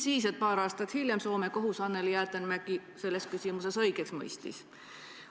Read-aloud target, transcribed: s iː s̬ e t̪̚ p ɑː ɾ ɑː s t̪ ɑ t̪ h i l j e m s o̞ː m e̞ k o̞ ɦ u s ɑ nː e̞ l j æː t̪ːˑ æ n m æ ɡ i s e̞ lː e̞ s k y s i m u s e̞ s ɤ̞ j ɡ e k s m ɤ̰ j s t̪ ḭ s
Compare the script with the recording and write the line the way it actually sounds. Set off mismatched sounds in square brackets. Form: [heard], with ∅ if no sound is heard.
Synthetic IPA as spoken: s iː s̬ e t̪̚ p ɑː ɾ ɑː s t̪ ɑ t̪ h i l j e m s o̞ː m e̞ k o̞ ɦ u s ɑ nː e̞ l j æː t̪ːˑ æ n m æ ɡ i s e̞ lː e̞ s k y s i m u s e̞ s ɤ̞ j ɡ e k s m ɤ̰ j s t̪ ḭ s

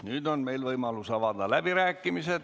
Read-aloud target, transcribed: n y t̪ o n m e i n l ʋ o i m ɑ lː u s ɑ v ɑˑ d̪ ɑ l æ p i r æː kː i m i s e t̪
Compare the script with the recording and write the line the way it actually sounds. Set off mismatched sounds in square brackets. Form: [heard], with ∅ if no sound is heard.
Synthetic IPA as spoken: n y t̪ o n m e i [∅] l ʋ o i m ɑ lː u s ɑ [ʋ] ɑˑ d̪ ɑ l æ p i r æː kː i m i s e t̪

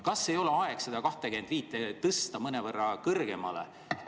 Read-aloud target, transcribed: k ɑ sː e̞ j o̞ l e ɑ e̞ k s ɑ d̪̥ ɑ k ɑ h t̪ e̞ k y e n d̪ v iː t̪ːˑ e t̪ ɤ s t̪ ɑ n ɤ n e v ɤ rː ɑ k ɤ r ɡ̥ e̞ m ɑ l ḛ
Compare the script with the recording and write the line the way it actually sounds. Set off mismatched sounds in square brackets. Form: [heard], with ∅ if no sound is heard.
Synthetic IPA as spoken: k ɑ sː e̞ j o̞ l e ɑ e̞ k s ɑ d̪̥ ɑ k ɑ h t̪ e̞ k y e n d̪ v iː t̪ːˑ e t̪ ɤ s t̪ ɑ [m] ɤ n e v ɤ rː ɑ k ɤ r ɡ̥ e̞ m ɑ l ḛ

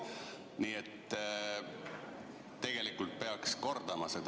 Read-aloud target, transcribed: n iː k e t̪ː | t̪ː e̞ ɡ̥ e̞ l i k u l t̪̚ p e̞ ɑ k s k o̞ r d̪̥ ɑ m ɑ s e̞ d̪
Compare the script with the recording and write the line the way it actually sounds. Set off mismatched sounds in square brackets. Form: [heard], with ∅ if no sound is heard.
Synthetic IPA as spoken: n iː [∅] e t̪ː | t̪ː e̞ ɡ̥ e̞ l i k u l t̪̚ p e̞ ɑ k s k o̞ r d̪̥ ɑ m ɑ s e̞ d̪

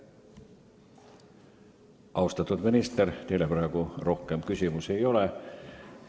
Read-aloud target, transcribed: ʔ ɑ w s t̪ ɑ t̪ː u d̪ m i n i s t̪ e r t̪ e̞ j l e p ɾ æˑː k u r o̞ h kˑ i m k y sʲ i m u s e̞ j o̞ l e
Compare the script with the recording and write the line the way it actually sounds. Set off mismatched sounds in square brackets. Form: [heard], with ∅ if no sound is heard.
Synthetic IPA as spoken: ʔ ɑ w s t̪ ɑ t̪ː u d̪ m i n i s t̪ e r t̪ e̞ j l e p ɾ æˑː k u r o̞ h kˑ [e] m k y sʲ i m u s e̞ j o̞ l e

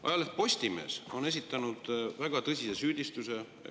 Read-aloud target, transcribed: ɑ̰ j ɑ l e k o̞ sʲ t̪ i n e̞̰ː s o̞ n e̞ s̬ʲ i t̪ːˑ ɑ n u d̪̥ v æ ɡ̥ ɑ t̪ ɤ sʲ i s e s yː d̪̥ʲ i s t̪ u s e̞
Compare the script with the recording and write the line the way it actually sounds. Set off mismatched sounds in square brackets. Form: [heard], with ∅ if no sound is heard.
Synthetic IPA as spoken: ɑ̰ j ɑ l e [p] o̞ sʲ t̪ i [m] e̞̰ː s o̞ n e̞ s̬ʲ i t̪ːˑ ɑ n u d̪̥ v æ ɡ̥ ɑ t̪ ɤ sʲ i s e s yː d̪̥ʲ i s t̪ u s e̞

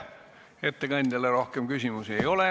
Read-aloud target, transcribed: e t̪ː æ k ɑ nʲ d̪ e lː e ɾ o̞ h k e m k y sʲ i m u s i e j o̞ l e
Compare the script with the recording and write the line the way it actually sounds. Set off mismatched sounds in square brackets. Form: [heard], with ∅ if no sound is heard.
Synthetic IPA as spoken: e t̪ː [e] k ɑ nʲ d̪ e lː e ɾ o̞ h k e m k y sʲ i m u s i e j o̞ l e

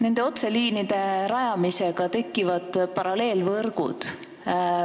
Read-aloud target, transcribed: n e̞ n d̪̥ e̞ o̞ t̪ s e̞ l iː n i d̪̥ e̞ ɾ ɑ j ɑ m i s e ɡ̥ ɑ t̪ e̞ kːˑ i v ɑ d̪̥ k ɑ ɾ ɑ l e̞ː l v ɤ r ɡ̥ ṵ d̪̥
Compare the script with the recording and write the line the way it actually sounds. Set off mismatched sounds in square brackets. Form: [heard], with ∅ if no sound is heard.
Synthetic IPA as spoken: n e̞ n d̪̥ e̞ o̞ t̪ s e̞ l iː n i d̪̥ e̞ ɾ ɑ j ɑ m i s e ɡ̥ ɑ t̪ e̞ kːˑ i v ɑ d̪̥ [p] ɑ ɾ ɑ l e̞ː l v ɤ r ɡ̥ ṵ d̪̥

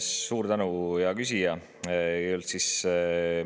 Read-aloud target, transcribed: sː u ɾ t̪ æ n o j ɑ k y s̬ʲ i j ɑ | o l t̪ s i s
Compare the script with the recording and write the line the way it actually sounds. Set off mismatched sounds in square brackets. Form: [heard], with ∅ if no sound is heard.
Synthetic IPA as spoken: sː [uː] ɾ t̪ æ n [u] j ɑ k y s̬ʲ i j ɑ | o l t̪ s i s

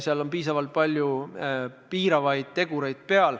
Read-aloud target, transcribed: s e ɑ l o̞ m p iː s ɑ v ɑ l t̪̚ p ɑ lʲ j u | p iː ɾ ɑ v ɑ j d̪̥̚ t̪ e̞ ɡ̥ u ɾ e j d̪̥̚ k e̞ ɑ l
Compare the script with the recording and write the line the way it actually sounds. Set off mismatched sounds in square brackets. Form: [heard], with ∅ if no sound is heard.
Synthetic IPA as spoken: s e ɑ l o̞ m p iː s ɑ v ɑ l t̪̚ p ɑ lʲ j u | p iː ɾ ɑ v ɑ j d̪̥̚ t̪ e̞ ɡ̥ u ɾ e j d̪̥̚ [p] e̞ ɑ l

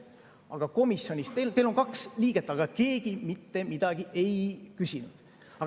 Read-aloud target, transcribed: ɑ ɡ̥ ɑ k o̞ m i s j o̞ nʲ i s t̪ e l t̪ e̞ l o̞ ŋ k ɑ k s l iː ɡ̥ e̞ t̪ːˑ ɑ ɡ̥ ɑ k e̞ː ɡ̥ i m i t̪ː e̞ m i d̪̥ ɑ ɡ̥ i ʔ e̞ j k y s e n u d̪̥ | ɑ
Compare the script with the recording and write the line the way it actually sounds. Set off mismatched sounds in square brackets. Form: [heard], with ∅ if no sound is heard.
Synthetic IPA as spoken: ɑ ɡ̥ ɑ k o̞ m i s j o̞ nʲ i s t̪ e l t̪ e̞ l o̞ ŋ k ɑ k s l iː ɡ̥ e̞ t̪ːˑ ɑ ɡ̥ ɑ k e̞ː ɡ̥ i m i t̪ː e̞ m i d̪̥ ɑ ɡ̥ i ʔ e̞ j k y s [i] n u d̪̥ | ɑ

